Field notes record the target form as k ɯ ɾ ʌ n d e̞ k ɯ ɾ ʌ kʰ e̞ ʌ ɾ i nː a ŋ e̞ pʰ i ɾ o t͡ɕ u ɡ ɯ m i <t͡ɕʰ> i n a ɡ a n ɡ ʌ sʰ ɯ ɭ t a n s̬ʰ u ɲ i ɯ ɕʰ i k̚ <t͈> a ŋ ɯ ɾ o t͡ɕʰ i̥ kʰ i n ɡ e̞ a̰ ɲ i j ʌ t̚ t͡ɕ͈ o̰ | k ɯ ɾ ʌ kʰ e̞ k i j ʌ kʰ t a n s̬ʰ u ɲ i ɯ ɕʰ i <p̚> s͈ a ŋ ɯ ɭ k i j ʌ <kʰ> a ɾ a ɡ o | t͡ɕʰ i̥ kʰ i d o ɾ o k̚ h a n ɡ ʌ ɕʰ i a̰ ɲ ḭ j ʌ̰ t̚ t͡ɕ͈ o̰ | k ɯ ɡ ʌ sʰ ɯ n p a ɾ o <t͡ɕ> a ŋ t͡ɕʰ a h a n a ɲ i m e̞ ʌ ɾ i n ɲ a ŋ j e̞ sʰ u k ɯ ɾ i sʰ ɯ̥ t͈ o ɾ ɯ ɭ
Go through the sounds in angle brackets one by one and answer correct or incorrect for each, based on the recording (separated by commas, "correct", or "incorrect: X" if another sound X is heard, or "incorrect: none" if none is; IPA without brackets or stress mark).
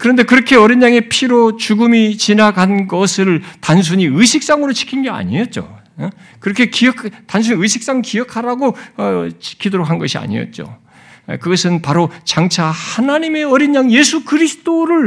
incorrect: t͡ɕ, incorrect: s͈, incorrect: k̚, correct, correct